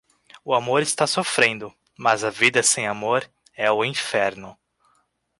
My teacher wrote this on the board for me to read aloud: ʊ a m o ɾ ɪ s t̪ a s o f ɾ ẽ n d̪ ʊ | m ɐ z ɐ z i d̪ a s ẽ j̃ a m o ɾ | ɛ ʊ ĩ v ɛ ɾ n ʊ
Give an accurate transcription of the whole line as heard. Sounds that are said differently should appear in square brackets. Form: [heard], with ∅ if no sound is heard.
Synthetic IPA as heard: ʊ a m o ɾ ɪ s t̪ a s o f ɾ ẽ n d̪ ʊ | m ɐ z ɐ [v] i d̪ [ɐ] s ẽ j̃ a m o ɾ | ɛ ʊ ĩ [f] ɛ ɾ n ʊ